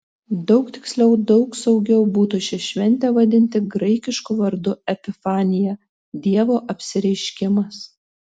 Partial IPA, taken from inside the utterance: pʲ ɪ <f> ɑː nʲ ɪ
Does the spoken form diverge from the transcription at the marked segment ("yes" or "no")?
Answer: no